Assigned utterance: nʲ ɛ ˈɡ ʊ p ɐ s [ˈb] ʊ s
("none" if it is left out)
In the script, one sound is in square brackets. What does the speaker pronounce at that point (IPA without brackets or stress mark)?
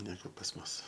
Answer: m